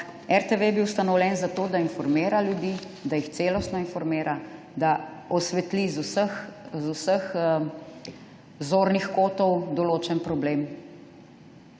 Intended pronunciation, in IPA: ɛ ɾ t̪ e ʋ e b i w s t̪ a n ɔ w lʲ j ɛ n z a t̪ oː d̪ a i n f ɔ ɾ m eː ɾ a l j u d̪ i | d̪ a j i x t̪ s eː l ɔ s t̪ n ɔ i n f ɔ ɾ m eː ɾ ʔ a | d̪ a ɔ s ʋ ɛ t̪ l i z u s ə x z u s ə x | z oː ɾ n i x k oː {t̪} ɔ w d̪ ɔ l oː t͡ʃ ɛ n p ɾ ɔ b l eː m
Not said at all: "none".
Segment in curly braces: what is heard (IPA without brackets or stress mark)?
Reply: t̪